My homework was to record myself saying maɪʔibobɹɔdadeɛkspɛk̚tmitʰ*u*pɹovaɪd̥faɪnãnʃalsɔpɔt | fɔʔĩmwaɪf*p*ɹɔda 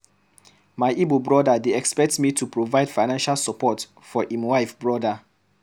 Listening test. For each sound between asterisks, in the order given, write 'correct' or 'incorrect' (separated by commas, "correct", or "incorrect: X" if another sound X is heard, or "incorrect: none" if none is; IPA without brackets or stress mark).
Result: correct, incorrect: b